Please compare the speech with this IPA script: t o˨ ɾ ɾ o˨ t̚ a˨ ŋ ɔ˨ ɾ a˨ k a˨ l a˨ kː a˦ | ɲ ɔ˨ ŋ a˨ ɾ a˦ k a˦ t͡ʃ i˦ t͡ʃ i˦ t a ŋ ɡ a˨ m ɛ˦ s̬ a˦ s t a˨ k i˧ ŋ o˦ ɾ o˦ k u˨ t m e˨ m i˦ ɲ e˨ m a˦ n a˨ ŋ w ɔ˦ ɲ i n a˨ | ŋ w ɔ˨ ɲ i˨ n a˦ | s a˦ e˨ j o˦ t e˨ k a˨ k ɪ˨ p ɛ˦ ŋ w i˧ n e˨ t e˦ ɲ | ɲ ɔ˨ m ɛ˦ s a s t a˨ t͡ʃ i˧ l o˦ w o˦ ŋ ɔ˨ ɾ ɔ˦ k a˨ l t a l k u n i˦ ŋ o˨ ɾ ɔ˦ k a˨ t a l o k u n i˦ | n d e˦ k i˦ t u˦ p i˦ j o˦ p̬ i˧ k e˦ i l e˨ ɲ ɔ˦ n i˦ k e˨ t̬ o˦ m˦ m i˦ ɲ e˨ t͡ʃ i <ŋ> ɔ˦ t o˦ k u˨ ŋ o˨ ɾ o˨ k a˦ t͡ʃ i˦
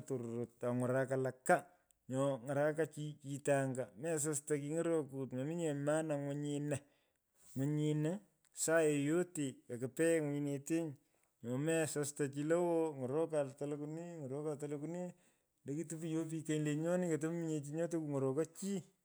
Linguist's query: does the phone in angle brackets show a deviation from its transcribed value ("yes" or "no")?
yes